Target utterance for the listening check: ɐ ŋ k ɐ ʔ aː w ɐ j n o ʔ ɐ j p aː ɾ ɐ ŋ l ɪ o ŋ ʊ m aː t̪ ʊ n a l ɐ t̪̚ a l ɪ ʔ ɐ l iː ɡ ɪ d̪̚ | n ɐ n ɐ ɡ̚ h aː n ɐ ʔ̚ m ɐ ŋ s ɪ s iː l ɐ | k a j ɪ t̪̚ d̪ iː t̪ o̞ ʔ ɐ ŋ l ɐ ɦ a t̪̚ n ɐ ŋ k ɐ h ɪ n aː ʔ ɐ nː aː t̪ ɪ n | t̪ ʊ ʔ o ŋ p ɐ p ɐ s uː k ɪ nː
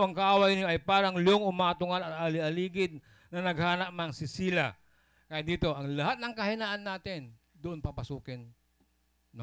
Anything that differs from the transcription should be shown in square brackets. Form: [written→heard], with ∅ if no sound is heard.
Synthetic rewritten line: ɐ ŋ k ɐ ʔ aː w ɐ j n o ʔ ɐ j p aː ɾ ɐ ŋ l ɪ o ŋ ʊ m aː t̪ ʊ [n→ŋ] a l ɐ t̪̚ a l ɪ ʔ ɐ l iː ɡ ɪ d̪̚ | n ɐ n ɐ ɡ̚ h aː n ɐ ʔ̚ m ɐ ŋ s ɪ s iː l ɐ | k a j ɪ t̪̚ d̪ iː t̪ o̞ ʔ ɐ ŋ l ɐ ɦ a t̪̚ n ɐ ŋ k ɐ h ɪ n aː ʔ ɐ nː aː t̪ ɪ n | [t̪→d̪] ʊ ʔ o [ŋ→n] p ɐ p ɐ s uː k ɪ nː